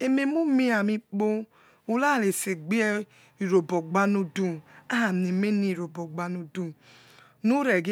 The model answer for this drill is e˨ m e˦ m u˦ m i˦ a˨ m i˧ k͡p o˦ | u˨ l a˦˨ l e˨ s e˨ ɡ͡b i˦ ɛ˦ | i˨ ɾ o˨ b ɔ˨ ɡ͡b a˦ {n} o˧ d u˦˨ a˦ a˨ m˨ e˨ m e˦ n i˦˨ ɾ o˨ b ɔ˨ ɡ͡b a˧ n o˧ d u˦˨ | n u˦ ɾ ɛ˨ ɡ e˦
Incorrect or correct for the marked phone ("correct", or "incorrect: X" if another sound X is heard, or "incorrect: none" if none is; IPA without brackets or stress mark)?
correct